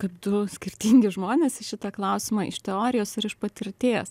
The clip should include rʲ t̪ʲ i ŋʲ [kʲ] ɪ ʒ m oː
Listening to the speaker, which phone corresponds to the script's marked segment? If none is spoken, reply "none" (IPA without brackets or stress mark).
ɡʲ